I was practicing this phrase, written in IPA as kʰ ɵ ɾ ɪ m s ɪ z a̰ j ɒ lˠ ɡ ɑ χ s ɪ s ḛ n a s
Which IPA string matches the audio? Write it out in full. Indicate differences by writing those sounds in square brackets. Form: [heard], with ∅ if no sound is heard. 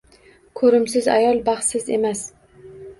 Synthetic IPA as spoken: kʰ ɵ ɾ ɪ m s ɪ z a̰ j ɒ lˠ [b] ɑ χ s ɪ [z] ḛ [m] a s